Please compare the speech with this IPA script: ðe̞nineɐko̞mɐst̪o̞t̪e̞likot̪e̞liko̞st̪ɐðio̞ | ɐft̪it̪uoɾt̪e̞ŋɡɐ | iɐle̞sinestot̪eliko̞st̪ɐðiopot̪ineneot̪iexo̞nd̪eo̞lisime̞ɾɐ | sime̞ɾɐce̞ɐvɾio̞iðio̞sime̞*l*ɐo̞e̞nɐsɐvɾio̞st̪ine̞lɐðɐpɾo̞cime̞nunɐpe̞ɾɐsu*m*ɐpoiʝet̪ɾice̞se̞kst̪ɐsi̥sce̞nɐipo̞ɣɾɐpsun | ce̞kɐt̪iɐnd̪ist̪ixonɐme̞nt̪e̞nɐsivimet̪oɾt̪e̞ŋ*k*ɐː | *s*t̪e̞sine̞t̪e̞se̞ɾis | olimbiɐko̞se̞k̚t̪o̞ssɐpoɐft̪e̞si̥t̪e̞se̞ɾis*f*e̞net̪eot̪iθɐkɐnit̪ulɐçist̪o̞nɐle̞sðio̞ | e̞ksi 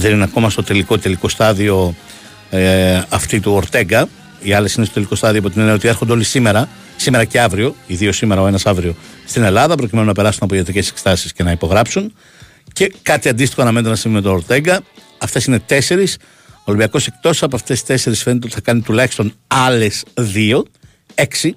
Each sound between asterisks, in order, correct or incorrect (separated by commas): incorrect, incorrect, incorrect, incorrect, correct